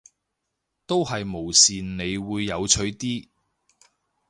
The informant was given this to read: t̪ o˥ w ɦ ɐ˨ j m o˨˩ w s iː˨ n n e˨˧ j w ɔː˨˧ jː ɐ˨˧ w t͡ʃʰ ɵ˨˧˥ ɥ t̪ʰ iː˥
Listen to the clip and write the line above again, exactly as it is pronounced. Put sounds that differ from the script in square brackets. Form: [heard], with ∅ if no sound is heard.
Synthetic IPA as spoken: t̪ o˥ w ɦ ɐ˨ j m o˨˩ w s iː˨ n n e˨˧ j w [uː˨˧] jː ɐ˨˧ w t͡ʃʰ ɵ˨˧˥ ɥ [t̪] iː˥